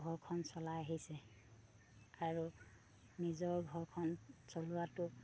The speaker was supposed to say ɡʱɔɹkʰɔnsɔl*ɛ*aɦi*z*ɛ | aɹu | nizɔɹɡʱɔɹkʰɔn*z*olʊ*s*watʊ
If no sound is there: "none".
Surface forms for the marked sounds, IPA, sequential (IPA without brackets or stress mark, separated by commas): a, s, s, none